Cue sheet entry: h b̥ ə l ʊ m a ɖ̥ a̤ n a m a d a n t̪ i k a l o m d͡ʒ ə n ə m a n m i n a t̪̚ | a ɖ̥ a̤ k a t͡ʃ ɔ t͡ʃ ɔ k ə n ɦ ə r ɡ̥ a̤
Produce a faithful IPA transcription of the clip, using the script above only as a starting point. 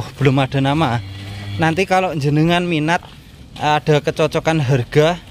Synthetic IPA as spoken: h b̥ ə l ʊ m a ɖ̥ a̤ n a m a n a n t̪ i k a l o ɲ d͡ʒ ə n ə ŋ a n m i n a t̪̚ | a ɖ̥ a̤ k ə t͡ʃ ɔ t͡ʃ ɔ k a n ɦ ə r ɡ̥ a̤